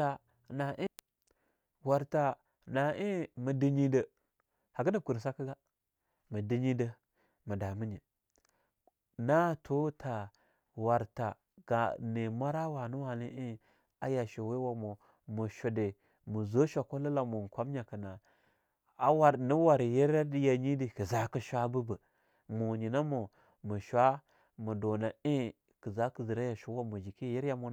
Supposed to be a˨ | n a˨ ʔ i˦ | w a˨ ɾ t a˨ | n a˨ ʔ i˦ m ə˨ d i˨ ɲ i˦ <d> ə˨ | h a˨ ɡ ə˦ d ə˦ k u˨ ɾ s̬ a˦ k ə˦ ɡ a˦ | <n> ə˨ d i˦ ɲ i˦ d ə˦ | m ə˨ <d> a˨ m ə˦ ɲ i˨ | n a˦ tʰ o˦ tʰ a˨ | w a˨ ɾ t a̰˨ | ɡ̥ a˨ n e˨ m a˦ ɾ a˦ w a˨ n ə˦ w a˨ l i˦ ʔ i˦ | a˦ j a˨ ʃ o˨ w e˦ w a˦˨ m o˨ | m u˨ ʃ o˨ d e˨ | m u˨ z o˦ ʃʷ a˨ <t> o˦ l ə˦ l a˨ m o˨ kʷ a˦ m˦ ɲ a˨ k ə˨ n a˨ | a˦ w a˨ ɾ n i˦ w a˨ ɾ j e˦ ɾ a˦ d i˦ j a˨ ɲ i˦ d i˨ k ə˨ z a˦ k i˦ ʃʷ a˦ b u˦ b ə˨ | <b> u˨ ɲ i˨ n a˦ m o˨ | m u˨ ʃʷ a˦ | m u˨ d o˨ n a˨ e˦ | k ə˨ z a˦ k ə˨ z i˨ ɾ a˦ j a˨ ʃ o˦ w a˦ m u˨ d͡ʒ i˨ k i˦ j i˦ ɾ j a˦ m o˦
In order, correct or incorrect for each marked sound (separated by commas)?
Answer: correct, incorrect, correct, incorrect, incorrect